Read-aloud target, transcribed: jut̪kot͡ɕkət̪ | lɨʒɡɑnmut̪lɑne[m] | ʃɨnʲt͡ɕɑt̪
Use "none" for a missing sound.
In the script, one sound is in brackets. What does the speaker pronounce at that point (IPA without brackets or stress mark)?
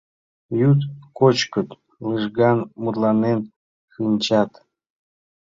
n